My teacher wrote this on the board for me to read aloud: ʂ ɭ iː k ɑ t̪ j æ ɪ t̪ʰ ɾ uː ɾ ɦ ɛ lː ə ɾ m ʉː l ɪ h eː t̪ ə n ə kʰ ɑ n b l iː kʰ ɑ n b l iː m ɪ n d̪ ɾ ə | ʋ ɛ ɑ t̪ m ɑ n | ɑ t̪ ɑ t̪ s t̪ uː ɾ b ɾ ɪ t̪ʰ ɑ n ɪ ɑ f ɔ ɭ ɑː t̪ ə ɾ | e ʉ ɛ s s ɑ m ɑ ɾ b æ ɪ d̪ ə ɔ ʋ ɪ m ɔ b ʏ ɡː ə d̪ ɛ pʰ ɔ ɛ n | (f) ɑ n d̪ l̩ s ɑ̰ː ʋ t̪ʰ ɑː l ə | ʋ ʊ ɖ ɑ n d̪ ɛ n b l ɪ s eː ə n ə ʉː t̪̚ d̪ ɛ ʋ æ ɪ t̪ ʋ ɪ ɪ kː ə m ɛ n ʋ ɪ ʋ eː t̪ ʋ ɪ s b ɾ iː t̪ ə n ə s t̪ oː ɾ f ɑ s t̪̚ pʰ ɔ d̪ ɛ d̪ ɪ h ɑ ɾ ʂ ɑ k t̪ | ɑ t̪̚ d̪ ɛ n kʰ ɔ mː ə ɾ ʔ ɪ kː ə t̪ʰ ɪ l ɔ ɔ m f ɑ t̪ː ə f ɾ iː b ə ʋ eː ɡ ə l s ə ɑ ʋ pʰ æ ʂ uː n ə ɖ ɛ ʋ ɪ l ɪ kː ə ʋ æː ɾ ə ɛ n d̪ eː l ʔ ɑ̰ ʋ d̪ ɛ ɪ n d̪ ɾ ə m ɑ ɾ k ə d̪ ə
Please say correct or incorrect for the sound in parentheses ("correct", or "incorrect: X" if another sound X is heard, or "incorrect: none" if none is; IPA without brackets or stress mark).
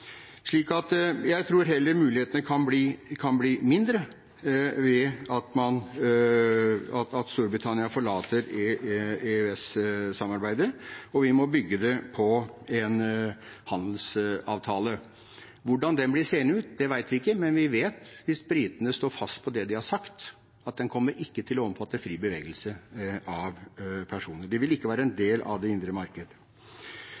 incorrect: h